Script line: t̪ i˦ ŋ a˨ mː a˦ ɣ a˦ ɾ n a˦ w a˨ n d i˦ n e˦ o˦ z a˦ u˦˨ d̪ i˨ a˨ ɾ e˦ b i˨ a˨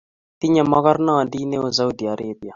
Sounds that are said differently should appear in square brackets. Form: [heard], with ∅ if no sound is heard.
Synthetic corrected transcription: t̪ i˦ [ɲ] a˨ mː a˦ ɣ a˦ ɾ n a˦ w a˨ n d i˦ n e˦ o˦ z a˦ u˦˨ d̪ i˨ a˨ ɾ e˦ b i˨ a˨